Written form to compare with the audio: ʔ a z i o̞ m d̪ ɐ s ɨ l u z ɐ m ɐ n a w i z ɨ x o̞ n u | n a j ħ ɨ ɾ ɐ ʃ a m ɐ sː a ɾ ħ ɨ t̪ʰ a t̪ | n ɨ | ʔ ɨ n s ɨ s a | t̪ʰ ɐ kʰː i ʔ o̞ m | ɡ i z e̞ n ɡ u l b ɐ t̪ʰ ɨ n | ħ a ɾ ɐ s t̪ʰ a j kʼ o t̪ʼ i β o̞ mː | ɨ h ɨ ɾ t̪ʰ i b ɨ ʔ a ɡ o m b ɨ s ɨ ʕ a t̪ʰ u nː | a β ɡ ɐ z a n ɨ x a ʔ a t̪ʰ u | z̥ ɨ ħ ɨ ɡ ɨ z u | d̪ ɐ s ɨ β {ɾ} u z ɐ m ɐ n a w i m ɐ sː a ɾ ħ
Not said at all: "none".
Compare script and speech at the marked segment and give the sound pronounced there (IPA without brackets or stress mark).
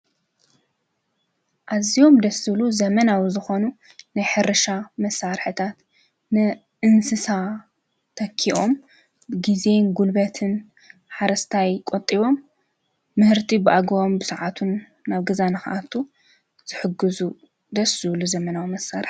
l